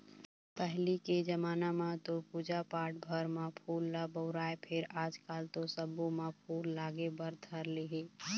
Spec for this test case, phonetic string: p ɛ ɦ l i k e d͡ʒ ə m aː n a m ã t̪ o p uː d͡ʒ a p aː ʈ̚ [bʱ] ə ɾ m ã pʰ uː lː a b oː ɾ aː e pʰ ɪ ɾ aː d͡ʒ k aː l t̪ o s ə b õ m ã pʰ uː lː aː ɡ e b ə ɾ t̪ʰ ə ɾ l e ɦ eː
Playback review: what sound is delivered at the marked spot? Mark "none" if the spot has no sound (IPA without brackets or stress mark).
bʱ